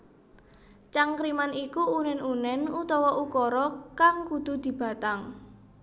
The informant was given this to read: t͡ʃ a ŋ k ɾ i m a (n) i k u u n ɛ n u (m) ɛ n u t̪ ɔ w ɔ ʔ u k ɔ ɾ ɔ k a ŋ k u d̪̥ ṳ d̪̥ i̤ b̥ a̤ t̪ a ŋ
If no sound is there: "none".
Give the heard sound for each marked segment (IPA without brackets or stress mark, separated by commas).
n, n